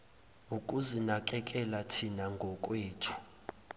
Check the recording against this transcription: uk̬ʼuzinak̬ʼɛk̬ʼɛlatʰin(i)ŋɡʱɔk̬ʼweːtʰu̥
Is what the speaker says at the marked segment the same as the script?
no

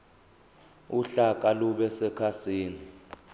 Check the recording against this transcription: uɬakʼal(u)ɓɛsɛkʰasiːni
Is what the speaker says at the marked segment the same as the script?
yes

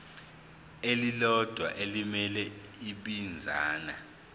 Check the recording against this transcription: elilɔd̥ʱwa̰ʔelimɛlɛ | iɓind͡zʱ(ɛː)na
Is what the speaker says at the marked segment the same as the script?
no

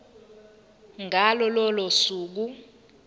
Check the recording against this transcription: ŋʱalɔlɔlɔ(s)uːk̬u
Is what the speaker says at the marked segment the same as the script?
yes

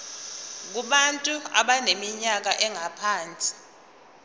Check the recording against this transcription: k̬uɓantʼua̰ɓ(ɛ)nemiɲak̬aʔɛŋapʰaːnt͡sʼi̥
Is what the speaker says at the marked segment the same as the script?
no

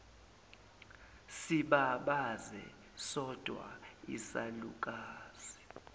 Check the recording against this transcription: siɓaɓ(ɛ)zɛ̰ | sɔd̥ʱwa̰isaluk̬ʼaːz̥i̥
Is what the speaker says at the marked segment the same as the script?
no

